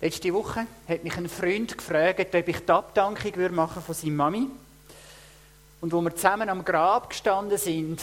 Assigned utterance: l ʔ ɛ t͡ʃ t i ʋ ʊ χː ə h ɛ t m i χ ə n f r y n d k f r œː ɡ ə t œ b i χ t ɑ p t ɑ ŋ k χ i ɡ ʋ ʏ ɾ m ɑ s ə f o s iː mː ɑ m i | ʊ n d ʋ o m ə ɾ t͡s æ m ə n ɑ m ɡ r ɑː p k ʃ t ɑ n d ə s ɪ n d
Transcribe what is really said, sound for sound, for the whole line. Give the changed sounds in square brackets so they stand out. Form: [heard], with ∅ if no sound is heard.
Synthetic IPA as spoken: l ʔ ɛ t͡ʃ t i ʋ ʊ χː ə h ɛ t m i χ ə n f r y n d k f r œː ɡ ə t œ b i χ t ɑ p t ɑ ŋ k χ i ɡ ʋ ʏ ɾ m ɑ [χ] ə f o s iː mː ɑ m i | ʊ n d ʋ o m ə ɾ t͡s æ m ə n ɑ m ɡ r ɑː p k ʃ t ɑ n d ə s ɪ n d